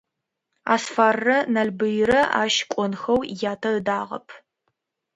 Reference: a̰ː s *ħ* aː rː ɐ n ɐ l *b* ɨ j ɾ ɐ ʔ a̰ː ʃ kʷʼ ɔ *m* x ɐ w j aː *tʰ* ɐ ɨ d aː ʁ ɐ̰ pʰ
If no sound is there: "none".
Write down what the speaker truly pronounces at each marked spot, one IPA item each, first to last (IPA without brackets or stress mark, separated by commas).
f, b, n, tʰ